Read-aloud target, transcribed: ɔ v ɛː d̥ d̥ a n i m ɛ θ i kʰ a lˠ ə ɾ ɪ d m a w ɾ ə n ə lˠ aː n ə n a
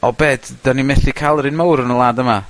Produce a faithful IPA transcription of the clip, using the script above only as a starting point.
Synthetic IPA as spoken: ɔ b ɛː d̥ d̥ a n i m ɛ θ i kʰ a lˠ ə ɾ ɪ n m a w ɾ ə n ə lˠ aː d ə m a